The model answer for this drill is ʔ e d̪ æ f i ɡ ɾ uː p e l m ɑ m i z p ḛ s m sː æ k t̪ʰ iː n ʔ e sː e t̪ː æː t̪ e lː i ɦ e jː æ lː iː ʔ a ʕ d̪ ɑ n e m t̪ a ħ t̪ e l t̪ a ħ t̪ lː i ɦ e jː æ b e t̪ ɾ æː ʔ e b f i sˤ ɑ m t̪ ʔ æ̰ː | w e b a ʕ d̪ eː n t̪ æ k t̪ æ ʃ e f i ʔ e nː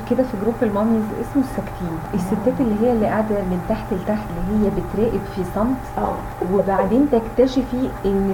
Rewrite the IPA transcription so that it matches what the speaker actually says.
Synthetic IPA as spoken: k e d̪ æ f i ɡ ɾ uː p e l m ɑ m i z ʔ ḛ s m sː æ k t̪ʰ iː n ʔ e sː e t̪ː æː t̪ e lː i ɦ e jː æ lː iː ʔ a ʕ d̪ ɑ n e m t̪ a ħ t̪ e l t̪ a ħ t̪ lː i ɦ e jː æ b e t̪ ɾ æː ʔ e b f i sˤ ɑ m t̪ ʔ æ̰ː | w e b a ʕ d̪ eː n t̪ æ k t̪ æ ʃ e f i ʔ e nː